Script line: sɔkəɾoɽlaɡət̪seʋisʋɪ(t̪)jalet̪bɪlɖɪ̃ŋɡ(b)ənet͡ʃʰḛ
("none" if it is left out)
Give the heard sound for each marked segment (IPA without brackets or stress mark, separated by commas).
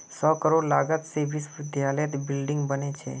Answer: d̪, b